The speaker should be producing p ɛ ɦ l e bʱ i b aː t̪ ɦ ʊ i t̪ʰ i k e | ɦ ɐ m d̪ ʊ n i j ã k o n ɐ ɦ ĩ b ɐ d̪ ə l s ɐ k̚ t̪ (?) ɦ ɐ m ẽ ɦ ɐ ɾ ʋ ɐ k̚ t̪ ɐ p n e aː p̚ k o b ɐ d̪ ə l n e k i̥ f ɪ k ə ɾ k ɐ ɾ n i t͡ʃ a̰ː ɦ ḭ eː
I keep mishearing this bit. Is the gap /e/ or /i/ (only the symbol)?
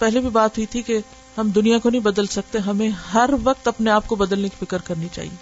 e